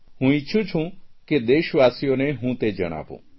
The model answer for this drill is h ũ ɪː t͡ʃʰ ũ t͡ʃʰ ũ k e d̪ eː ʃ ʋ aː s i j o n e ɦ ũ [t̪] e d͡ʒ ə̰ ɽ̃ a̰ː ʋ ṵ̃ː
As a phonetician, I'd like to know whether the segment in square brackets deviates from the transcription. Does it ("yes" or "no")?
no